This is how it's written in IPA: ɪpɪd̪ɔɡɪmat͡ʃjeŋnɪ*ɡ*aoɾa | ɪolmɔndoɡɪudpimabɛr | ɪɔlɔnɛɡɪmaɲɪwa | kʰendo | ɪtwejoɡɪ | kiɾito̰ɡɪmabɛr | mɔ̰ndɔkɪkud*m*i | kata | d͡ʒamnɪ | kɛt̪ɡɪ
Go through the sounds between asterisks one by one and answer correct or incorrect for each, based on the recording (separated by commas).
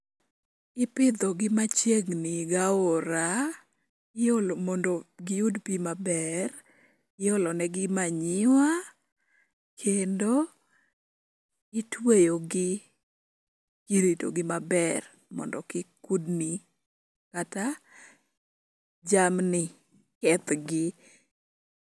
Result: correct, incorrect